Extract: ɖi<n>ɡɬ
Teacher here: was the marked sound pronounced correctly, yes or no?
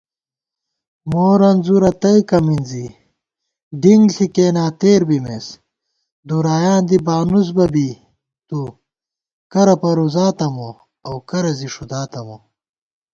no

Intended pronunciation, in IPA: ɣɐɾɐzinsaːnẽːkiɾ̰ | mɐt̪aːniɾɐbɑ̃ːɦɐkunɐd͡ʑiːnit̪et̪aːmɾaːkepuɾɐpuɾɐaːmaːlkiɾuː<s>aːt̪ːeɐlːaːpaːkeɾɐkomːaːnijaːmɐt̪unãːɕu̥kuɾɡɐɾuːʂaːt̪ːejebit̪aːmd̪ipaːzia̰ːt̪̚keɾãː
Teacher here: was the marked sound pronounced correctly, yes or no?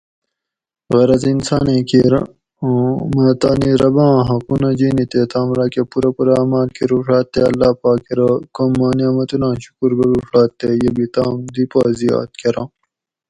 no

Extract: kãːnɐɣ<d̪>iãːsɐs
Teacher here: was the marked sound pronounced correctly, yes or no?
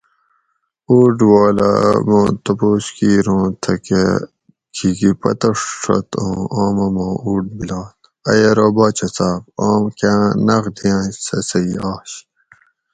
yes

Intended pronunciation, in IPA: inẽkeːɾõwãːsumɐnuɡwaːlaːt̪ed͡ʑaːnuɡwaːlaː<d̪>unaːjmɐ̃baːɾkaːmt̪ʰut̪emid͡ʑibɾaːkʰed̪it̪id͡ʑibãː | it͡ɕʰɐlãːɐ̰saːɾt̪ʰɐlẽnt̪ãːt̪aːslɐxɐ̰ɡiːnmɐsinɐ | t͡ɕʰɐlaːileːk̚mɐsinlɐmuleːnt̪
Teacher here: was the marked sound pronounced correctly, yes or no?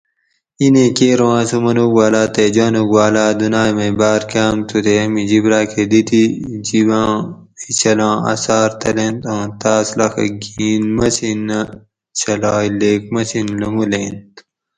yes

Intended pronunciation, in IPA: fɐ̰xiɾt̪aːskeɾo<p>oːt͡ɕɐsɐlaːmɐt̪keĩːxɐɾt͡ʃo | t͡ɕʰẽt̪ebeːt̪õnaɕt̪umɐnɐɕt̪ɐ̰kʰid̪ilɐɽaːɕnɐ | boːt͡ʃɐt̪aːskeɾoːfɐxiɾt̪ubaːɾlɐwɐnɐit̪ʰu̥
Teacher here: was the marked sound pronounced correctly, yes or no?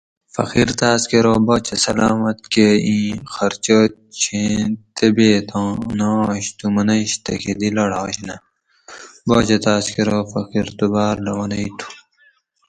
no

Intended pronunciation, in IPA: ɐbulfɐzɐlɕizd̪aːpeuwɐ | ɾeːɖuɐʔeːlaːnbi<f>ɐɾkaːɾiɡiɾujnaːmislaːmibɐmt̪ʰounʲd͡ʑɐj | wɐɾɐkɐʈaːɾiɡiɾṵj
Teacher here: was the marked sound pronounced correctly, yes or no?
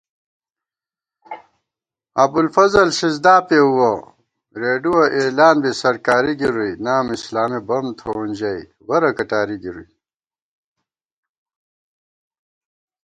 no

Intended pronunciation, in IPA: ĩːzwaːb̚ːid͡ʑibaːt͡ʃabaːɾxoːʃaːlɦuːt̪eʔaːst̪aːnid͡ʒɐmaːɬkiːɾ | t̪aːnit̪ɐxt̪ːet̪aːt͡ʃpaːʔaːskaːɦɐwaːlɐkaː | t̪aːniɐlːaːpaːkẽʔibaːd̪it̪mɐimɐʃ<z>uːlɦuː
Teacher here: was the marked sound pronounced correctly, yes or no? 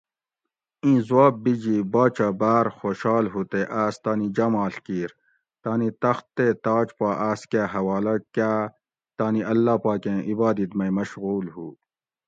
no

